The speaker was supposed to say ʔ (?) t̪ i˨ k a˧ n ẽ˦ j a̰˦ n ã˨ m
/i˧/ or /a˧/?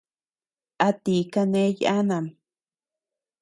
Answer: a˧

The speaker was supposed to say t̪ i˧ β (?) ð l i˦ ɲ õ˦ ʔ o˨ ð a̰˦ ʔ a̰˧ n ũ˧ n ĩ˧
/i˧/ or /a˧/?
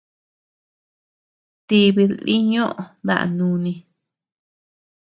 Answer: i˧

